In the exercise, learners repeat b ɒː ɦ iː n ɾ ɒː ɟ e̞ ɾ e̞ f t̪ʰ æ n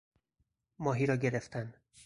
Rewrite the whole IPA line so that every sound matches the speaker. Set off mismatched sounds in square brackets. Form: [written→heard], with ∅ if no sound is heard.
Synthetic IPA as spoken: [b→m] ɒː ɦ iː [n→∅] ɾ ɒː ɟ e̞ ɾ e̞ f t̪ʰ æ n